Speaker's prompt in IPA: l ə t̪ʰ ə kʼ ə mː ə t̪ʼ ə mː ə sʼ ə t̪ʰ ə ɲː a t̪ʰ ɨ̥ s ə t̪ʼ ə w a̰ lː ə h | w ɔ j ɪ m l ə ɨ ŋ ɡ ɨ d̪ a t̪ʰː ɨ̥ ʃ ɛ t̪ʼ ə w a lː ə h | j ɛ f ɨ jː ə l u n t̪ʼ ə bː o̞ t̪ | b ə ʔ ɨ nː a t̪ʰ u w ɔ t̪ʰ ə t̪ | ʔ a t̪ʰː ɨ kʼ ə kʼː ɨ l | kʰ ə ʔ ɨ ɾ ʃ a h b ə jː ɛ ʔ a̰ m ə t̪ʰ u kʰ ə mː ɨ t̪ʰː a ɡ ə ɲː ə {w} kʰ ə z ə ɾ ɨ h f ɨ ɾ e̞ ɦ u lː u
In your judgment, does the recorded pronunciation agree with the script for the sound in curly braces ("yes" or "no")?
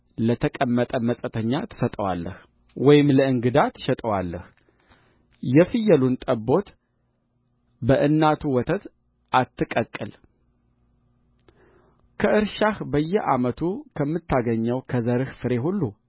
yes